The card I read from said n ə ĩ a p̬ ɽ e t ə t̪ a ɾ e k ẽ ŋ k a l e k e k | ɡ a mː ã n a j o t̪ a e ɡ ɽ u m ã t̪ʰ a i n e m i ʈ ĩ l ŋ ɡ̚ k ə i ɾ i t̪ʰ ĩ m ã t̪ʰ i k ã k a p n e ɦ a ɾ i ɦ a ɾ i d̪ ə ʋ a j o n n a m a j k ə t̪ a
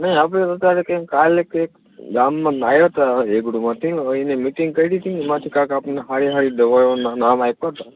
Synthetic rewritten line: n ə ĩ a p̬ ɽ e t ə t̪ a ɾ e k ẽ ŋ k a l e k e k | ɡ a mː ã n a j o t̪ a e ɡ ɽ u m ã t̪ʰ i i n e m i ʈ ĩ ŋ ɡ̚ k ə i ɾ i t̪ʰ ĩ m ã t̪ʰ i k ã k a p n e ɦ a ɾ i ɦ a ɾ i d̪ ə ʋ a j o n n a m a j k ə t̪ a